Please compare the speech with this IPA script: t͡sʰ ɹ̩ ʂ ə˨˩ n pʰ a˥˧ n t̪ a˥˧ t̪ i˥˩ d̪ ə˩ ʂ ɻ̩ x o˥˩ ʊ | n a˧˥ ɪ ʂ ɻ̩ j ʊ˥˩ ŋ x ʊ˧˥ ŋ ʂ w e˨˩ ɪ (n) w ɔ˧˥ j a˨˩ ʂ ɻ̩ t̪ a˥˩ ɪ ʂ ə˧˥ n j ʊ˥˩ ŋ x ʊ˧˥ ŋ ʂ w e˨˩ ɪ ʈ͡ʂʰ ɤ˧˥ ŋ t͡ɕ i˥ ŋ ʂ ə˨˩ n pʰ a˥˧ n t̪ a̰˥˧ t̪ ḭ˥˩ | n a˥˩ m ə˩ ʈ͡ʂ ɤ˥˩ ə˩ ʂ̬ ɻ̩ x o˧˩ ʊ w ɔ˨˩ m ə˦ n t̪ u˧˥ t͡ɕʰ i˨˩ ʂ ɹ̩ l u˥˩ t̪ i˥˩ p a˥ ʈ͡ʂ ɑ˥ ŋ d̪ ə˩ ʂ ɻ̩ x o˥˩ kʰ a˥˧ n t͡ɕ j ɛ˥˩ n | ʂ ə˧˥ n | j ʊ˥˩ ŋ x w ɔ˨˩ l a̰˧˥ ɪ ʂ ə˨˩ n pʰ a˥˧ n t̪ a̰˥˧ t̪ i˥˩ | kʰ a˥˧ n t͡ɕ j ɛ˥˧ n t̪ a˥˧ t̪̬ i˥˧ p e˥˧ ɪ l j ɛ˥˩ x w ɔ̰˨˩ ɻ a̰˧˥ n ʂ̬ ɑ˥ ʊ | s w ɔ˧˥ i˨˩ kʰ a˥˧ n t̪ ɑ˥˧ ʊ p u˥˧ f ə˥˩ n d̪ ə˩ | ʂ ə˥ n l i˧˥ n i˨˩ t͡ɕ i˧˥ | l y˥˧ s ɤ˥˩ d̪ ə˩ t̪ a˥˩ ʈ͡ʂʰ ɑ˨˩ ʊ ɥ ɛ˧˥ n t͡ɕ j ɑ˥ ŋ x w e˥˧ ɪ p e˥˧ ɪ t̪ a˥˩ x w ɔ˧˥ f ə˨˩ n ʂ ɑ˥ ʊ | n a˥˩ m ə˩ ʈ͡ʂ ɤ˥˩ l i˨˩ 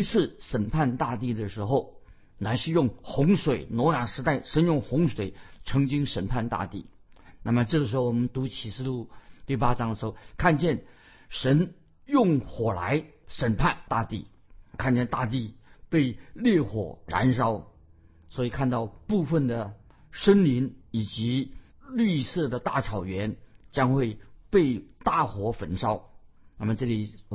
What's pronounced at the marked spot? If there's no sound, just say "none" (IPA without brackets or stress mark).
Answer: n